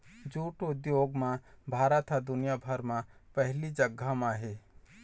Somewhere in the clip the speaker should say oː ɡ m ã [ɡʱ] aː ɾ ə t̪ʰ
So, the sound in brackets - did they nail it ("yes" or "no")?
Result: no